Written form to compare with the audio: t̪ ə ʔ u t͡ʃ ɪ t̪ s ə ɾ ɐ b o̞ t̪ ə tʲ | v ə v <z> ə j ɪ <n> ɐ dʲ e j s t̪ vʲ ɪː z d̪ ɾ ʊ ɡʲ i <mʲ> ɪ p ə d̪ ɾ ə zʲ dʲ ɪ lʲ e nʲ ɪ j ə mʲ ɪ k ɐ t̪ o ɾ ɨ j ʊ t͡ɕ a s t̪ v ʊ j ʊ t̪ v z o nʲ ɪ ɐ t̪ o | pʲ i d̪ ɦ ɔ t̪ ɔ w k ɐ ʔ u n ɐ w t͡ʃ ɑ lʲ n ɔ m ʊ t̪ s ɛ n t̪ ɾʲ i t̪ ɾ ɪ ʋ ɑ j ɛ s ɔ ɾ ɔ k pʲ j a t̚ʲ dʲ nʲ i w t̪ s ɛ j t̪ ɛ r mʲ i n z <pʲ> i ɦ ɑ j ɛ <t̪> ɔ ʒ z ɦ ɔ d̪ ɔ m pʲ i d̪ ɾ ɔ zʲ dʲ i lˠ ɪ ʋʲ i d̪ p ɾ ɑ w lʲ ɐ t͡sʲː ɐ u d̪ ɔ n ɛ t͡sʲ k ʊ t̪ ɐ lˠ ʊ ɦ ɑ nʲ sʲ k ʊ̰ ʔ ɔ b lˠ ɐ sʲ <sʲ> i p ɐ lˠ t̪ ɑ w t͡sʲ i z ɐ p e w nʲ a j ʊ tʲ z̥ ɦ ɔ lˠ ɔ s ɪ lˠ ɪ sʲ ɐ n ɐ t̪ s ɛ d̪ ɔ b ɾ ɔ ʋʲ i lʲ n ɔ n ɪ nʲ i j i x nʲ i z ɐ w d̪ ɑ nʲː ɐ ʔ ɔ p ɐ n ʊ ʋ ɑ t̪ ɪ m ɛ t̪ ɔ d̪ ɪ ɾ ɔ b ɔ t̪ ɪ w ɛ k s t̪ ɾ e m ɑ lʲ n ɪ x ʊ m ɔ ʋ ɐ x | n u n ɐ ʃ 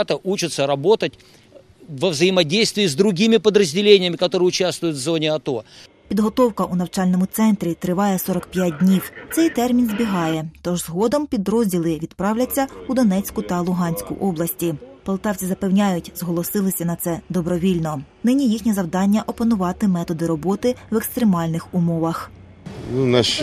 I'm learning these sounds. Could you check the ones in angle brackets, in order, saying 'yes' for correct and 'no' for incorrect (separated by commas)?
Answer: yes, no, yes, no, yes, no